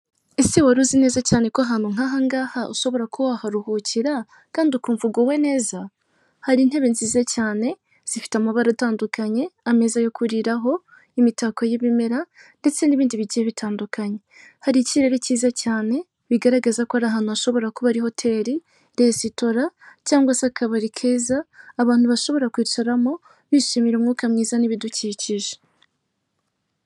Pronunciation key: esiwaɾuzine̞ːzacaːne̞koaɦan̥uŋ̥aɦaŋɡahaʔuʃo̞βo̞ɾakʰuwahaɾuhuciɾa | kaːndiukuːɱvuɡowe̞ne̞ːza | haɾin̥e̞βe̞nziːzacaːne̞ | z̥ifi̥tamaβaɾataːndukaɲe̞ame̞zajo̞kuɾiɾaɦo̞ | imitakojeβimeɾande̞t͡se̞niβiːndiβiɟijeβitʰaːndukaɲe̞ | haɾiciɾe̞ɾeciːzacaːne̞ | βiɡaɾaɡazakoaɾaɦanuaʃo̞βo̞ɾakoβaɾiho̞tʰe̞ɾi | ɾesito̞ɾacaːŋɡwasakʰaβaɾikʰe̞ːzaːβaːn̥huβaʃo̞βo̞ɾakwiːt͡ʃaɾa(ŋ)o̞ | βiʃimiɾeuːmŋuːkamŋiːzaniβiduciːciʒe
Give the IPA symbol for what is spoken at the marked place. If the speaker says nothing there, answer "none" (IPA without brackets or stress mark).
m